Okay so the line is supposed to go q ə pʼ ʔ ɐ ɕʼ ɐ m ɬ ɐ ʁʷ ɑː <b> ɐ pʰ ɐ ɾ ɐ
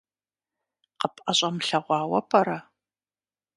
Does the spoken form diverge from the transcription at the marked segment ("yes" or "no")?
yes